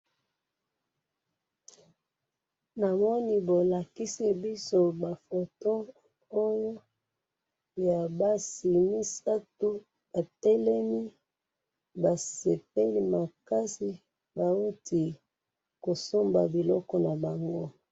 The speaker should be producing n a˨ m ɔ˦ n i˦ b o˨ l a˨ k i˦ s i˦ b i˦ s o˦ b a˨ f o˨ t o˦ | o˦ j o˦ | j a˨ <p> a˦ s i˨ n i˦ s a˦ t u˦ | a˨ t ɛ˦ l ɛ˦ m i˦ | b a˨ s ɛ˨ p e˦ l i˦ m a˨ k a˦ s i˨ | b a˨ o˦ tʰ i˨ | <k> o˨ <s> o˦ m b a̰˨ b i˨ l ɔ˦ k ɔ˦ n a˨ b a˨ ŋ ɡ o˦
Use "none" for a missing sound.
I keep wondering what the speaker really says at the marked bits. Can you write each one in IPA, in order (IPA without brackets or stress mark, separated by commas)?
b, k, s